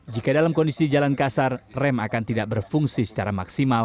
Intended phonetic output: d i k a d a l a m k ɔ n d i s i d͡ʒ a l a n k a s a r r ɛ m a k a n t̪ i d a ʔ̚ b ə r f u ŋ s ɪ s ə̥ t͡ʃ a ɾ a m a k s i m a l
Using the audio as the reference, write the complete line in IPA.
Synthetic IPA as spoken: d͡ʒ i k a d a l a m k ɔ n d i s i d͡ʒ a l a n k a s a r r ɛ m a k a n t̪ i d a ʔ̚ b ə r f u ŋ s i s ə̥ t͡ʃ a ɾ a m a k s i m a l